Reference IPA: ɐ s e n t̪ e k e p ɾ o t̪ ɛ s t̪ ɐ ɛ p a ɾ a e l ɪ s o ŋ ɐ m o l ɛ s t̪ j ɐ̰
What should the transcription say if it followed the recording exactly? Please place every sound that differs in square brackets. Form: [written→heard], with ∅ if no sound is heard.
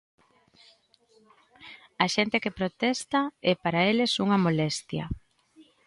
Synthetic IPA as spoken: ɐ [s→ʃ] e n t̪ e k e p ɾ o t̪ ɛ s t̪ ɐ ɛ p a ɾ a e l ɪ s [o→u] ŋ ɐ m o l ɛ s t̪ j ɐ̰